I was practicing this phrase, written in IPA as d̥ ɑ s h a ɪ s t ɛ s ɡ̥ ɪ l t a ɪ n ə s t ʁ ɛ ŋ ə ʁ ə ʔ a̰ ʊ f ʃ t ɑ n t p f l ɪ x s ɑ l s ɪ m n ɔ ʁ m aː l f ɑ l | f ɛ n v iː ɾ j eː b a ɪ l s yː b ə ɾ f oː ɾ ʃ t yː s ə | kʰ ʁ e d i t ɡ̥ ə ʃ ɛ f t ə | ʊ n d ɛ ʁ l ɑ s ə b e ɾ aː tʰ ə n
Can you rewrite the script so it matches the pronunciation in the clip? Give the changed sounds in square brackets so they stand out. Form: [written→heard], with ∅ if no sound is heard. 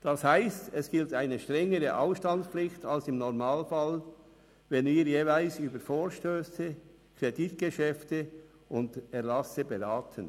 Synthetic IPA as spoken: d̥ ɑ s h a ɪ s t ɛ s ɡ̥ ɪ l t a ɪ n ə [s→ʃ] t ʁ ɛ ŋ ə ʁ ə ʔ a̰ ʊ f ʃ t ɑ n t p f l ɪ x [s→t] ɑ l s ɪ m n ɔ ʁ m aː l f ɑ l | [f→v] ɛ n v iː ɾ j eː [b→v] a ɪ l s yː b ə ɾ f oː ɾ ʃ t [yː→øː] s ə | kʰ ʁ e d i t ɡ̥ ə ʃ ɛ f t ə | ʊ n d ɛ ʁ l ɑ s ə b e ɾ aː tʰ ə n